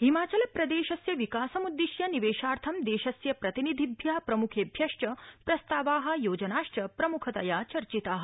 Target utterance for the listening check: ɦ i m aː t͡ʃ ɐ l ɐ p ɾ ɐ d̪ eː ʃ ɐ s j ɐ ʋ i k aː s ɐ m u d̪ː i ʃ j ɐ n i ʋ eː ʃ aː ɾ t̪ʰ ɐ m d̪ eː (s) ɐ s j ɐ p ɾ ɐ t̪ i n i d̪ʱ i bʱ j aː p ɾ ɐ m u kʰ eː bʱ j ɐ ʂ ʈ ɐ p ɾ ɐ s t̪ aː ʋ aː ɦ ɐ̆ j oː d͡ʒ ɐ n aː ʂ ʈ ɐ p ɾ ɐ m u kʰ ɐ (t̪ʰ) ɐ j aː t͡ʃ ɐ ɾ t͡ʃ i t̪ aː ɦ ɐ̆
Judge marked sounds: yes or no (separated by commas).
no, no